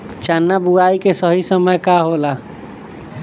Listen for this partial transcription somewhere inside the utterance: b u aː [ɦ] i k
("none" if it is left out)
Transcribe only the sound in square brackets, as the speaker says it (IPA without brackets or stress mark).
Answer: none